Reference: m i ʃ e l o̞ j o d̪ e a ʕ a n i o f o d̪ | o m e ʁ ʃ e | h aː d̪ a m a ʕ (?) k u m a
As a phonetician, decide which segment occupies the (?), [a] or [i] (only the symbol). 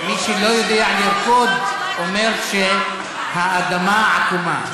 a